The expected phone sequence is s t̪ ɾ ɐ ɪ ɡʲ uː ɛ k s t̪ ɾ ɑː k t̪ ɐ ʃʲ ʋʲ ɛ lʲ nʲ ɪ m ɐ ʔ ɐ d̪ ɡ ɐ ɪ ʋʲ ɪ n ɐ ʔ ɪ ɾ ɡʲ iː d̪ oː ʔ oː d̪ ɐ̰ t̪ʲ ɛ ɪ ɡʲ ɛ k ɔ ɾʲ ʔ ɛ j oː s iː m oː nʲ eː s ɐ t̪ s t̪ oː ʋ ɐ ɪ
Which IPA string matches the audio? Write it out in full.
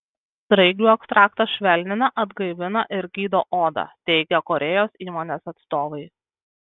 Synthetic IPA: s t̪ ɾ ɐ ɪ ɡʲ uː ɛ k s t̪ ɾ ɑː k t̪ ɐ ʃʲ ʋʲ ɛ lʲ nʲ ɪ n ɐ ʔ ɐ d̪ ɡ ɐ ɪ ʋʲ ɪ n ɐ ʔ ɪ ɾ ɡʲ iː d̪ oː ʔ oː d̪ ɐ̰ t̪ʲ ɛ ɪ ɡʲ ɛ k ɔ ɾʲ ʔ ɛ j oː s iː m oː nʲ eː s ɐ t̪ s t̪ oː ʋ ɐ ɪ